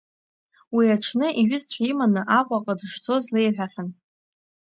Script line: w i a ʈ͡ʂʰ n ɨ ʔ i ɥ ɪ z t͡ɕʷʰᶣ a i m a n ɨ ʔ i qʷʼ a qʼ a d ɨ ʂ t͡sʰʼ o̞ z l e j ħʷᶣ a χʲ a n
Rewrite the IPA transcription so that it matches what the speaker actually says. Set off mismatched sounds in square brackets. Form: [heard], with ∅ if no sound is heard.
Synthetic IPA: w i a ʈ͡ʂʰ n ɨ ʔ i ɥ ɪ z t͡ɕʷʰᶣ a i m a n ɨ ʔ [a] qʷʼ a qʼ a d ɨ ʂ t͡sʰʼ o̞ z l e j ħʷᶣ a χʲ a n